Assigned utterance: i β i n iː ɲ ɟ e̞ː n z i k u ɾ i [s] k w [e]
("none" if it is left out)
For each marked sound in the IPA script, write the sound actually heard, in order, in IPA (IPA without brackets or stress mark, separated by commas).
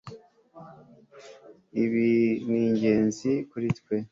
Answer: t, e